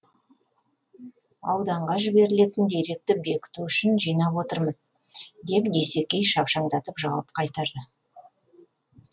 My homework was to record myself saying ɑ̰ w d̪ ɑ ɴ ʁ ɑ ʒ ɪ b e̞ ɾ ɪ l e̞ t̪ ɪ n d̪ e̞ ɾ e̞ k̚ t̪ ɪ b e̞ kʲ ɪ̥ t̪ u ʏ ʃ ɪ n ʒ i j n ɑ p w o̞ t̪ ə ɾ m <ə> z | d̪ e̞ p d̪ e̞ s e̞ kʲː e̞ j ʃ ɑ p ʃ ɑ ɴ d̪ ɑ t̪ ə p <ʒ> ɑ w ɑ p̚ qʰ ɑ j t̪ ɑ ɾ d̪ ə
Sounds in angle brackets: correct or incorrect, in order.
correct, correct

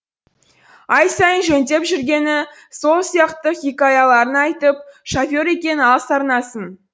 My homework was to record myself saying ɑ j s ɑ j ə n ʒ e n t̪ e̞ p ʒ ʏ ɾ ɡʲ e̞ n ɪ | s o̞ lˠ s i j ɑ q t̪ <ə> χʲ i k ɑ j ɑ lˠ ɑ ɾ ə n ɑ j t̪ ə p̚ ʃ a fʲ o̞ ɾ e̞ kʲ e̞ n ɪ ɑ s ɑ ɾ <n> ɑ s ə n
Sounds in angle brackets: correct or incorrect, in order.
correct, correct

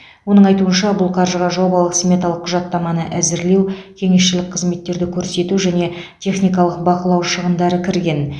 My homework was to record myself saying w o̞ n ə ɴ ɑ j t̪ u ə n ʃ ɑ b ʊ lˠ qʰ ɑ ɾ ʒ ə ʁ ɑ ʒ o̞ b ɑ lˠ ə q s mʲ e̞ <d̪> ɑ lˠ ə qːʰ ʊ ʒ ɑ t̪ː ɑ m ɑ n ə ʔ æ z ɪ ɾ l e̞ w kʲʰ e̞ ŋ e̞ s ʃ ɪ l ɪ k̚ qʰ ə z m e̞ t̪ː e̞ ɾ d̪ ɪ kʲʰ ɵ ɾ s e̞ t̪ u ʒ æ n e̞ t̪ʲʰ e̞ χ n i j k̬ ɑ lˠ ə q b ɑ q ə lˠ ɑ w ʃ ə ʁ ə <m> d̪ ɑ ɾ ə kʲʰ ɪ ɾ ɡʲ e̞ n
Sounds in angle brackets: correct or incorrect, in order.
incorrect: t̪, incorrect: n

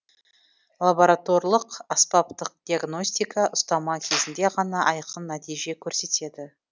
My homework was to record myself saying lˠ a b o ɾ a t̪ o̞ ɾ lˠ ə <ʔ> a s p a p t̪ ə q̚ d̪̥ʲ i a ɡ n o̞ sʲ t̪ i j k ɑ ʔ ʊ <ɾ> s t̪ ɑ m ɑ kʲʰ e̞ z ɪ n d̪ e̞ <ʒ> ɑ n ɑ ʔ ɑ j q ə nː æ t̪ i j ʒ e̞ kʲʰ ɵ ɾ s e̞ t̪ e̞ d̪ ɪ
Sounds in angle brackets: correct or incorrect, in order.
incorrect: q, incorrect: none, incorrect: ʁ

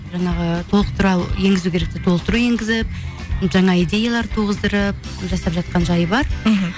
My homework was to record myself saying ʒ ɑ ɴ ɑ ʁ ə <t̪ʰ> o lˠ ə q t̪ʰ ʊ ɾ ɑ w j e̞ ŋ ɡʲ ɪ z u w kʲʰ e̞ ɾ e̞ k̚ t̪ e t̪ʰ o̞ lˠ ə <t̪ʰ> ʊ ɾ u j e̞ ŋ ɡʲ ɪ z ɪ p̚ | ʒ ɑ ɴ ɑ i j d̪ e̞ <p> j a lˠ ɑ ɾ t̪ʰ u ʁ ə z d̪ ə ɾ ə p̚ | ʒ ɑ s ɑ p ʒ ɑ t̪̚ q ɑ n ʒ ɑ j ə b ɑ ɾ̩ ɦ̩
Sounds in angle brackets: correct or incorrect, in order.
correct, incorrect: t̪, incorrect: none

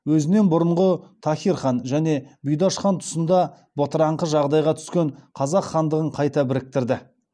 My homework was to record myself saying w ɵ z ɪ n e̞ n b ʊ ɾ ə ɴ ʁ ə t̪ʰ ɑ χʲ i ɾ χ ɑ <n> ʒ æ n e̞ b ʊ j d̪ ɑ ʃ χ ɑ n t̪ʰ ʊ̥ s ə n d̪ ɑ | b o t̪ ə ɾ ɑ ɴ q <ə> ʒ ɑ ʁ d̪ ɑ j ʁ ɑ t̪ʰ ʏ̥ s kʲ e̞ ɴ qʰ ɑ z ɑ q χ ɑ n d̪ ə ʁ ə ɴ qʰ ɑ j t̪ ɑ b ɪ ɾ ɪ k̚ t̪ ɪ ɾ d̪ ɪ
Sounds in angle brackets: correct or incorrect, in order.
correct, correct

